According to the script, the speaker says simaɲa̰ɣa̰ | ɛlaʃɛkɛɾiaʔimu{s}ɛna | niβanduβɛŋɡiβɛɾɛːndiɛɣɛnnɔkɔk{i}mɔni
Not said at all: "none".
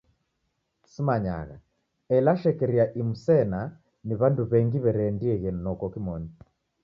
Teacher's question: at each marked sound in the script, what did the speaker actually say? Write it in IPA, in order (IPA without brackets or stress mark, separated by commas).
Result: s, i